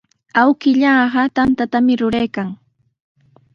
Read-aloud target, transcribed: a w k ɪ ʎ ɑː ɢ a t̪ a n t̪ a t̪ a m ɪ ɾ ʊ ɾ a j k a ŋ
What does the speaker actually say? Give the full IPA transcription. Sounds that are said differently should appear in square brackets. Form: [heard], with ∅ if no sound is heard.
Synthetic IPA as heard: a w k ɪ ʎ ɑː ɢ [ɑ] t̪ a n t̪ a t̪ a m ɪ ɾ ʊ ɾ a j k a ŋ